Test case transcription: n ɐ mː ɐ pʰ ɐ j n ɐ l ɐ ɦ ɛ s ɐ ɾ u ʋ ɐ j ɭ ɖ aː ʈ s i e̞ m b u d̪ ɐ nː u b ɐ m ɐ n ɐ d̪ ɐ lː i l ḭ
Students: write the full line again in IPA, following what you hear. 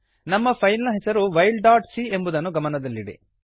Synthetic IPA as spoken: n ɐ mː ɐ pʰ ɐ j n ɐ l ɐ ɦ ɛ s ɐ ɾ u ʋ ɐ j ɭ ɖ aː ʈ s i e̞ m b u d̪ ɐ nː u ɡ ɐ m ɐ n ɐ d̪ ɐ lː i ɽ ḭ